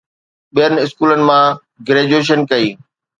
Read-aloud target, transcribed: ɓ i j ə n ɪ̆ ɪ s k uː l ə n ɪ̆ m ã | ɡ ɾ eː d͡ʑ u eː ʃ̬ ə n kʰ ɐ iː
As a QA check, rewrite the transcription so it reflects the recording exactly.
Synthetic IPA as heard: ɓ i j ə n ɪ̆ ɪ s k uː l ə n ɪ̆ m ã | ɡ ɾ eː d͡ʑ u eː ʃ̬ ə n k ɐ iː

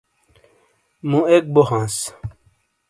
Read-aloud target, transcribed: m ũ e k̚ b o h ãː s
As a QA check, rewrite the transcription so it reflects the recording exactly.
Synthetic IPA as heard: m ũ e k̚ b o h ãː s

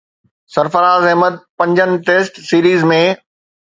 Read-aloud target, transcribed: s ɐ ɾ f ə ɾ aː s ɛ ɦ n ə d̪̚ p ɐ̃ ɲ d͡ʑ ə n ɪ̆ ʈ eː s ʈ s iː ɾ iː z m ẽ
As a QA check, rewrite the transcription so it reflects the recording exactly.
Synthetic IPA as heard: s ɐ ɾ f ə ɾ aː z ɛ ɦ m ə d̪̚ p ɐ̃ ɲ d͡ʑ ə n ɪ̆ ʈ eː s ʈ s iː ɾ iː z m ẽ

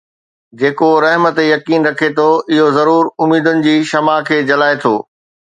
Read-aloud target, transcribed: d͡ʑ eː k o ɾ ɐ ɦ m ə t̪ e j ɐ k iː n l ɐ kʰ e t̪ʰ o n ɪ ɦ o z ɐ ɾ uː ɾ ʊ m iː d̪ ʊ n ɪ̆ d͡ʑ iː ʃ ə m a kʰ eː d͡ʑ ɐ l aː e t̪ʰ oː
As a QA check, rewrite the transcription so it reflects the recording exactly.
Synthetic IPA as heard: d͡ʑ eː k o ɾ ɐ ɦ m ə t̪ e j ɐ k iː n ɾ ɐ kʰ e t̪ʰ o ɪ ɦ o z ɐ ɾ uː ɾ ʊ m iː d̪ ʊ n ɪ̆ d͡ʑ iː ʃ ɐ m a kʰ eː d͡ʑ ɐ l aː e t̪ʰ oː

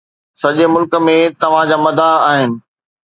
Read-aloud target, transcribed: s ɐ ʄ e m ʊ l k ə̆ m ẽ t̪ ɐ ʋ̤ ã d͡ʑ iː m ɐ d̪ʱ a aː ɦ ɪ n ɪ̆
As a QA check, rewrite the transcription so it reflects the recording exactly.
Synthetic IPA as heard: s ɐ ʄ e m ʊ l k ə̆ m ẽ t̪ ɐ ʋ̤ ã d͡ʑ aː m ɐ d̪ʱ a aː ɦ ɪ n ɪ̆

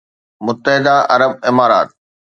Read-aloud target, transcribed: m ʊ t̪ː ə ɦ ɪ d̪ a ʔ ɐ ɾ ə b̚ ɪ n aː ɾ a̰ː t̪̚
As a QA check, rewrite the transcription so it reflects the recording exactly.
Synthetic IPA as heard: m ʊ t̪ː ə ɦ ɪ d̪ a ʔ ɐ ɾ ə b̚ ɪ m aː ɾ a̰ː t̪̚

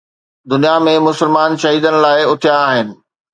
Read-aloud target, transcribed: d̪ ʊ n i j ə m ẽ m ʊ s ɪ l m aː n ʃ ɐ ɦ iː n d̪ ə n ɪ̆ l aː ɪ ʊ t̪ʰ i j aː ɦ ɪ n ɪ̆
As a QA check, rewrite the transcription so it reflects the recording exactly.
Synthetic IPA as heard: d̪ ʊ n i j a m ẽ m ʊ s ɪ l m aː n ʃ ɐ ɦ iː d̪ ə n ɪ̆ l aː ɪ ʊ t̪ʰ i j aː ɦ ɪ n ɪ̆

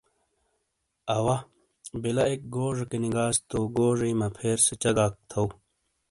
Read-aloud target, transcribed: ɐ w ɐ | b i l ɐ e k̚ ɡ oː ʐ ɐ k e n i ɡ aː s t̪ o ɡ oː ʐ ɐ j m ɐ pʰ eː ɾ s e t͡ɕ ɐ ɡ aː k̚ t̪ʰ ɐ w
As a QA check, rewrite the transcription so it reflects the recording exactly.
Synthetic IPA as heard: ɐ w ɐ | b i l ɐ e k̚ ɡ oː ʐ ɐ k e n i ɡ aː s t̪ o ɡ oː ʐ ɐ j m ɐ pʰ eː ɾ s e t͡ɕ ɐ ɡ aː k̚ t̪ʰ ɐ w

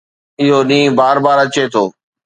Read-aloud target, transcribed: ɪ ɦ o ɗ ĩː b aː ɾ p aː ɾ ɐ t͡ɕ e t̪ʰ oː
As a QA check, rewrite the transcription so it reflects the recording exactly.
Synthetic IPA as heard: ɪ ɦ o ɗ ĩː b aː ɾ b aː ɾ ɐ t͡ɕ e t̪ʰ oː

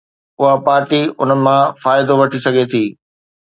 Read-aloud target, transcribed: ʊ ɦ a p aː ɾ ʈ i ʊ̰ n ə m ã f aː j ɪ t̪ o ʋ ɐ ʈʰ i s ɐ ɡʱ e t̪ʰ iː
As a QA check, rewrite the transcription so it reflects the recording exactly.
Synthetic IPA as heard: ʊ ɦ a p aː ɾ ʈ i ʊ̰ n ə m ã f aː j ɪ d̪ o ʋ ɐ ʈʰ i s ɐ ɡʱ e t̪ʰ iː

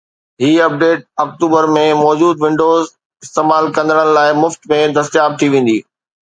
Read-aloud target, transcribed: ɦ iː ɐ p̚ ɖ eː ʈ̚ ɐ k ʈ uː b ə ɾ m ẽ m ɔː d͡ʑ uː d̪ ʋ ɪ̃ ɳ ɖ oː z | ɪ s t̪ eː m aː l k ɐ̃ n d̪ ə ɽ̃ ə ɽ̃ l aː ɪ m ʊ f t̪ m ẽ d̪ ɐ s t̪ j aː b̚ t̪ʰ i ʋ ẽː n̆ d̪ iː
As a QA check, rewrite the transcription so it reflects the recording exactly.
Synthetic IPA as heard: ɦ iː ɐ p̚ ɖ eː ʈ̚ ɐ k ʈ uː b ə ɾ m ẽ m ɔː d͡ʑ uː d̪ ʋ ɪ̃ ɳ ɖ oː z | ɪ s t̪ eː m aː l k ɐ̃ n d̪ ə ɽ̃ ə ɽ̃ l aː ɪ m ʊ f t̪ m ẽ d̪ ɐ s t̪ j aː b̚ t̪ʰ i ʋ ẽː n̆ d̪ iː

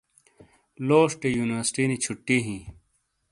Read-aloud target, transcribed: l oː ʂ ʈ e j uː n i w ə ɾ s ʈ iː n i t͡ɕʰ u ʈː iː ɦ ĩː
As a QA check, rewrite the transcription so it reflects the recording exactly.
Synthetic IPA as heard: l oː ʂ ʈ e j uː n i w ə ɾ s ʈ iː n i t͡ɕʰ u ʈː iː ɦ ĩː

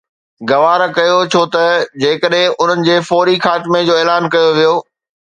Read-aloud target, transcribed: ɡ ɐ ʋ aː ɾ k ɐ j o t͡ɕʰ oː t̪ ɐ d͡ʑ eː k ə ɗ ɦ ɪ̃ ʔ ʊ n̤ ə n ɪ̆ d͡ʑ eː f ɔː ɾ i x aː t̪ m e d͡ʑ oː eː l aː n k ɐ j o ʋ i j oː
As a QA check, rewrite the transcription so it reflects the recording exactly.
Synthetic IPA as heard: ɡ ɐ ʋ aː ɾ k ɐ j o t͡ɕʰ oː t̪ ɐ d͡ʑ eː k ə ɗ ɦ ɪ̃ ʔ ʊ n̤ ə n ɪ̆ d͡ʑ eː f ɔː ɾ i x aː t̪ m e d͡ʑ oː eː l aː n k ɐ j o ʋ i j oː

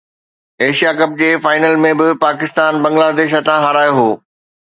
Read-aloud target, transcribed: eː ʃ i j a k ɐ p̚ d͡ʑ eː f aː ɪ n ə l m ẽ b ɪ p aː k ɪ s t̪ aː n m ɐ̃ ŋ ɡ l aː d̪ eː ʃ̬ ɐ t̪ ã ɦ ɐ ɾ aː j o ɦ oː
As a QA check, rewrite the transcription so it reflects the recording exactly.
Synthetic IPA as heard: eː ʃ i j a k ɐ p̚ d͡ʑ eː f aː ɪ n ə l m ẽ b ɪ p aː k ɪ s t̪ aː n b ɐ̃ ŋ ɡ l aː d̪ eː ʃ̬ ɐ t̪ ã ɦ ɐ ɾ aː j o ɦ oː

